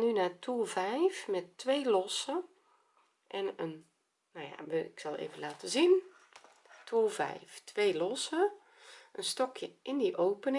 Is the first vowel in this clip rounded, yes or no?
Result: yes